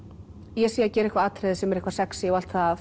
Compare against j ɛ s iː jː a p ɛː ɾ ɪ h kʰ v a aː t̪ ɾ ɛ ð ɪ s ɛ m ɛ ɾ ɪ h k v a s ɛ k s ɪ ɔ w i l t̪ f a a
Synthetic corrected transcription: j ɛ s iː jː a c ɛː ɾ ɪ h k v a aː t̪ ɾ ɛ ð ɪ s ɛ m ɛ ɾ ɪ h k v a s ɛ k s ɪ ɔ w a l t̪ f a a